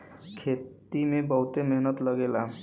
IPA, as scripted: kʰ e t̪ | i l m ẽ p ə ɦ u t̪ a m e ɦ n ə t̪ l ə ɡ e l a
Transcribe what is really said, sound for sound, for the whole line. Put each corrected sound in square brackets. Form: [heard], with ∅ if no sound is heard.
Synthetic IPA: kʰ e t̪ | i [∅] m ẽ [b] ə ɦ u t̪ [e] m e ɦ n ə t̪ l ə ɡ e l a